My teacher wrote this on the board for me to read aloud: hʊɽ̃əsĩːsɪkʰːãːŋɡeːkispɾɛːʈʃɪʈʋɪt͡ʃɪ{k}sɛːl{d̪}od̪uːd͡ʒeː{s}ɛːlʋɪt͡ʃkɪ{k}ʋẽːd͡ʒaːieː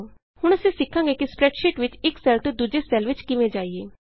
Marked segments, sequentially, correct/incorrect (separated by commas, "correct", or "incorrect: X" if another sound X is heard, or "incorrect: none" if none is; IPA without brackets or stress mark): correct, incorrect: t̪, correct, incorrect: none